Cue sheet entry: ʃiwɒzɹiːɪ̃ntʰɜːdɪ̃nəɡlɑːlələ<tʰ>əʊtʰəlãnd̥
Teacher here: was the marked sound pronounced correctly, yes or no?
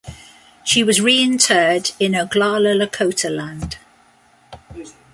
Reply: no